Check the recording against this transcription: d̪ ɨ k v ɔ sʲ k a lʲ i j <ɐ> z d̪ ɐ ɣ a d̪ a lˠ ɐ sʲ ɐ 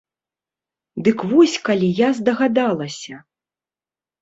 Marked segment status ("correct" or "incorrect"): incorrect